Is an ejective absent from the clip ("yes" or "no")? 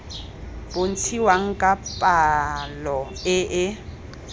no